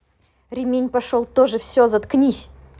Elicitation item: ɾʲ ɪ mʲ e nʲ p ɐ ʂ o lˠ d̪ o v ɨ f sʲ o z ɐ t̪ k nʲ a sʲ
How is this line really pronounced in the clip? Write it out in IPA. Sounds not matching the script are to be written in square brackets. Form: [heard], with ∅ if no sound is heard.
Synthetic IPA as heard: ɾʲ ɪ mʲ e nʲ p ɐ ʂ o lˠ [t̪] o [ʐ] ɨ f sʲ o z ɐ t̪ k nʲ [i] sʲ